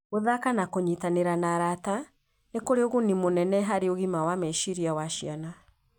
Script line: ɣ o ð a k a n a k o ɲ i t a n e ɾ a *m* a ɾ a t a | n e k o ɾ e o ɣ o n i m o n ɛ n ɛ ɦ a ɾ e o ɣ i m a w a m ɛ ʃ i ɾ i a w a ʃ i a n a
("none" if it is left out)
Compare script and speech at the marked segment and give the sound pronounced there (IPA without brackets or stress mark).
n